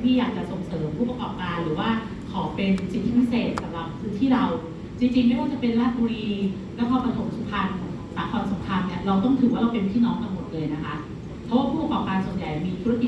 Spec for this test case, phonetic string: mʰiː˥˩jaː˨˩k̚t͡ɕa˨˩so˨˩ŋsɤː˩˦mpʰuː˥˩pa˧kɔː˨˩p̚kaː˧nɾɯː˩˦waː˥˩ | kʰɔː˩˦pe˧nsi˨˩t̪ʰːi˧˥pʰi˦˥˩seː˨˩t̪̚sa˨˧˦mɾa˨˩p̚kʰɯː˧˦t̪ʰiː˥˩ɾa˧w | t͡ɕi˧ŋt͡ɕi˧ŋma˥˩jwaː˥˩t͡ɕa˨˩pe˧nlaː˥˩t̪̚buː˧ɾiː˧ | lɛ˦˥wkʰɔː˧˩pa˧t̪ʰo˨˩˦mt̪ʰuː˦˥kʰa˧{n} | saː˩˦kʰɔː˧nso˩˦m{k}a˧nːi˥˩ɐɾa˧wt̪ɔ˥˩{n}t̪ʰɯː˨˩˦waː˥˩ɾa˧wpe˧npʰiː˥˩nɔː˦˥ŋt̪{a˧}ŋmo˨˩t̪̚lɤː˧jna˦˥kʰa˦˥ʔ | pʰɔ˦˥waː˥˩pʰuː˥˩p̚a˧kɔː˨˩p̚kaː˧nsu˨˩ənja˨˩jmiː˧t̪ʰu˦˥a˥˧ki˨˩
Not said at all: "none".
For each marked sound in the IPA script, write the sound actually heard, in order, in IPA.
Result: n, kʰ, ŋ, a˧

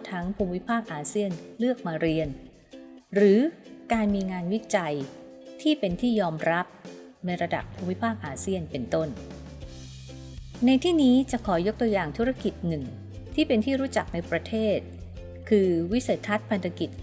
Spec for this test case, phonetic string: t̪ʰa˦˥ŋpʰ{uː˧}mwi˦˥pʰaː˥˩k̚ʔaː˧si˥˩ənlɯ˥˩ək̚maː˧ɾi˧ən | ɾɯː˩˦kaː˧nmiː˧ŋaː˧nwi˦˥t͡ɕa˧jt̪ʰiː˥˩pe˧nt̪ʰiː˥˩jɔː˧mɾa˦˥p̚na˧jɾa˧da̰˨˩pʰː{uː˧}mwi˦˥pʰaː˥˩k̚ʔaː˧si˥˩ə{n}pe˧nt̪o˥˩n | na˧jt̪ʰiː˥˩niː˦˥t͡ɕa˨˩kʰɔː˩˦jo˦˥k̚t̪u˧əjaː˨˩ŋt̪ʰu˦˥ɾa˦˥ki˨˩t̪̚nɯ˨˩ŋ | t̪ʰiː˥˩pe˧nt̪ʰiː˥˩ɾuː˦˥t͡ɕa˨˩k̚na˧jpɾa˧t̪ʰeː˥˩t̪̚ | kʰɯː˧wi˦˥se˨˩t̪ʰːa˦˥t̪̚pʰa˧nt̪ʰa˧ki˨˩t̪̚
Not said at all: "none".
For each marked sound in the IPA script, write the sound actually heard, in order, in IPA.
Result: uː˧, uː˧, n

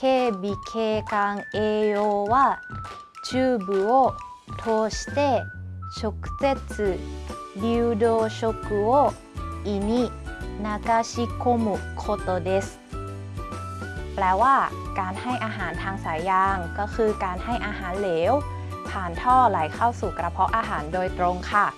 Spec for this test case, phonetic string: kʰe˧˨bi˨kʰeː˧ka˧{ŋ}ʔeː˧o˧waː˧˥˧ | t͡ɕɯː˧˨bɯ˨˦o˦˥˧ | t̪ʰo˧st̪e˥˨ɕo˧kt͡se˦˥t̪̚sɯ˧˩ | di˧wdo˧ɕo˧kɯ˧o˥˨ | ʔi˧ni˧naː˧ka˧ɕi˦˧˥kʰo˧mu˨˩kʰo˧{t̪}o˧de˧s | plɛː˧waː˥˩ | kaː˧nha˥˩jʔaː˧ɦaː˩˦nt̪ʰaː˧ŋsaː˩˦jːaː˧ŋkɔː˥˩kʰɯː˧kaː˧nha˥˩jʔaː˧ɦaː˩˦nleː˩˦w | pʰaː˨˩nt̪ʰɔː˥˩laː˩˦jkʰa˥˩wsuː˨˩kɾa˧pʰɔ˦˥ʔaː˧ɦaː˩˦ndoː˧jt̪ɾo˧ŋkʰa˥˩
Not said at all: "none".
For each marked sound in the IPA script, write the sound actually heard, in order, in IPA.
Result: ŋ, t̪

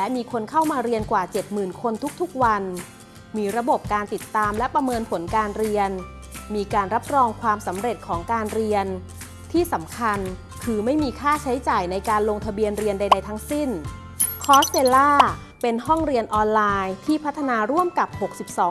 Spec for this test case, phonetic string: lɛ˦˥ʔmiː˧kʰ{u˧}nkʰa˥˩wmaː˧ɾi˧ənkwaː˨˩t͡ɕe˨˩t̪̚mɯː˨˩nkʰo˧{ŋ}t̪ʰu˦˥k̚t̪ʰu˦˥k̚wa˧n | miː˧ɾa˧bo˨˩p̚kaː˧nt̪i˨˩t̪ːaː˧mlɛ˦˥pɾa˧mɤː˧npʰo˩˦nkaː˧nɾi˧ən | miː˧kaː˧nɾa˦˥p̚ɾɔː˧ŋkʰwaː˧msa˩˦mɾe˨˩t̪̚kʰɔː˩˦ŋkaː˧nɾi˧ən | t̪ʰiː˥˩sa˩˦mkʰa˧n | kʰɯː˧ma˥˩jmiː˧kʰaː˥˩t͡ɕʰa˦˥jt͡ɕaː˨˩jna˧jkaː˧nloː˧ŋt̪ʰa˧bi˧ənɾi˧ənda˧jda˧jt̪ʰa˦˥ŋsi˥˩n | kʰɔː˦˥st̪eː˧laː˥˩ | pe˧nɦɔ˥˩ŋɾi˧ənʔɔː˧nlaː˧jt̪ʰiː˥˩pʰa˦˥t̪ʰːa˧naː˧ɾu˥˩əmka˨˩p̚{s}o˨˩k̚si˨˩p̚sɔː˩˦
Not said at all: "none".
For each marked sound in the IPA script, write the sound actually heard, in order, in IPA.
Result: o˧, n, h

